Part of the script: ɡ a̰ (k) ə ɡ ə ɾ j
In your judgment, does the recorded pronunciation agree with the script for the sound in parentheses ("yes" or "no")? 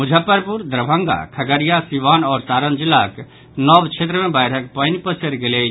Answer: no